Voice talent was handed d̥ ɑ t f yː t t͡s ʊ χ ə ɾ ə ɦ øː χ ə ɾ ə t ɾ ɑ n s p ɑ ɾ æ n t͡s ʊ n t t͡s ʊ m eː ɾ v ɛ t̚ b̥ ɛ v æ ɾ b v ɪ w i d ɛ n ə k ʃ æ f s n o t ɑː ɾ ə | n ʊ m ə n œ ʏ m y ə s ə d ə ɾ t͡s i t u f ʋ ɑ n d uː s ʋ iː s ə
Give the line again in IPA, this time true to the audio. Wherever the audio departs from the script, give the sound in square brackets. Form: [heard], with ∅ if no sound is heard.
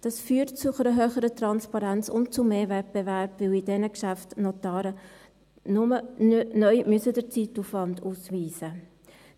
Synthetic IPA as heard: d̥ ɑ [s] f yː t t͡s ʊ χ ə ɾ ə ɦ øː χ ə ɾ ə t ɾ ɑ n s p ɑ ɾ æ n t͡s ʊ n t t͡s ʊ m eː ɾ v ɛ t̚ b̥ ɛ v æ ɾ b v ɪ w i d ɛ n ə k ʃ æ f [t] n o t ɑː ɾ ə | n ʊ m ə n œ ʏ m y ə s ə d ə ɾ t͡s i t u f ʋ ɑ n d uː s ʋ iː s ə